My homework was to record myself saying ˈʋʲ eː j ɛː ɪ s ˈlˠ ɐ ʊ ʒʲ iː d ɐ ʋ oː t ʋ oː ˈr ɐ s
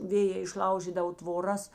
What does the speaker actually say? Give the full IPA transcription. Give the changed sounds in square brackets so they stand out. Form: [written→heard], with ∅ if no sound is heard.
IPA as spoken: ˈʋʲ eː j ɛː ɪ [s→ʃ] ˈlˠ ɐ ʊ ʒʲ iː d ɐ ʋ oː t ʋ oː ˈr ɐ s